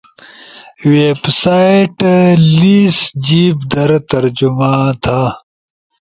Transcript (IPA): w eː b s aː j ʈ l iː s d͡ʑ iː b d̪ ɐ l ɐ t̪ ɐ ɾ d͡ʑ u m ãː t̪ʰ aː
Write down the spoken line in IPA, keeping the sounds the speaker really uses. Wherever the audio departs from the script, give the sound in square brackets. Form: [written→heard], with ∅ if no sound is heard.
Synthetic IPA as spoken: w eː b s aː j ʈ l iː s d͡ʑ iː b d̪ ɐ [l→ɾ] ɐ t̪ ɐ ɾ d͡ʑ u m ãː t̪ʰ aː